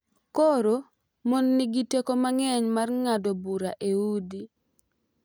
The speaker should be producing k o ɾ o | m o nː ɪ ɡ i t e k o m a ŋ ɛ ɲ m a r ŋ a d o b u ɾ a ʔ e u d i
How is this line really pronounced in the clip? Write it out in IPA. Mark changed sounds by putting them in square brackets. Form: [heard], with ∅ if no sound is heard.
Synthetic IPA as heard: k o ɾ o | m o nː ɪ ɡ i t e k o m a ŋ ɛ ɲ m a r ŋ a d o b u ɾ a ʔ e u d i